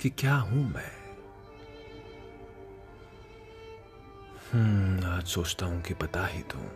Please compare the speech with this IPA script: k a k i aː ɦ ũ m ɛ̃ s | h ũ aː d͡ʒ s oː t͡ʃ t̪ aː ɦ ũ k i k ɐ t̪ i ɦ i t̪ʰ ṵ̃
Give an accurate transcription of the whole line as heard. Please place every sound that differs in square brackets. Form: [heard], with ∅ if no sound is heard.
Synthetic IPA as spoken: k [i] k [j] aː ɦ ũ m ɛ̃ [∅] | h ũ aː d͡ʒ s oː t͡ʃ t̪ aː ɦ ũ k i [p] ɐ t̪ [a] ɦ i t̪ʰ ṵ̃